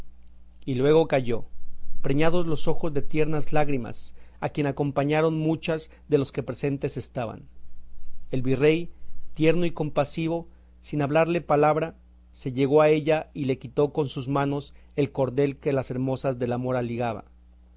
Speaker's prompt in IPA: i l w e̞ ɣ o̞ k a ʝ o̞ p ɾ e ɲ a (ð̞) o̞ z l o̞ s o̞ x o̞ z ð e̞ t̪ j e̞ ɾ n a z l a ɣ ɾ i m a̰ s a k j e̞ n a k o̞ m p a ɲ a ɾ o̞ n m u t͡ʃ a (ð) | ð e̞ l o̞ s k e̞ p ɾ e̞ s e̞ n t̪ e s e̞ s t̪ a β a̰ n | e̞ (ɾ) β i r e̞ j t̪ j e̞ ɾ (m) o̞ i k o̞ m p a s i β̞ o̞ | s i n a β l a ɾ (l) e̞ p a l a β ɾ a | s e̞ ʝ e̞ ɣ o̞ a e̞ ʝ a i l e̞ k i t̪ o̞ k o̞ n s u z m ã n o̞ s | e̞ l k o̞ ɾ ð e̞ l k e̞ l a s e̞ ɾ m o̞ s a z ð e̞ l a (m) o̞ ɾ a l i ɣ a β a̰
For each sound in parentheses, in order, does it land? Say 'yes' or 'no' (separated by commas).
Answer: yes, no, no, no, yes, yes